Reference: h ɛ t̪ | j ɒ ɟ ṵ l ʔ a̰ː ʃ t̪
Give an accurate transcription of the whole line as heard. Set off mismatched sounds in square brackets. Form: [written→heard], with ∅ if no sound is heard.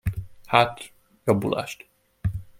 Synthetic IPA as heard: h [ɛ→a] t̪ | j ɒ [ɟ→b] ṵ l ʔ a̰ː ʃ t̪